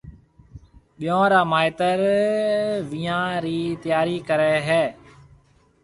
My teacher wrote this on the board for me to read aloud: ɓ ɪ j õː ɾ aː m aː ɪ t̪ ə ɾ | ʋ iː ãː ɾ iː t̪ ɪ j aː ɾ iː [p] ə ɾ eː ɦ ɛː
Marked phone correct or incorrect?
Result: incorrect